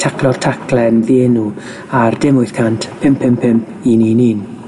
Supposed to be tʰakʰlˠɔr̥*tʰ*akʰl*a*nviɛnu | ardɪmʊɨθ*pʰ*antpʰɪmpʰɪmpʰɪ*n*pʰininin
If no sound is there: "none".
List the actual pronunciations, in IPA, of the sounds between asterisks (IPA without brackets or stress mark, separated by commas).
tʰ, ɛ, kʰ, m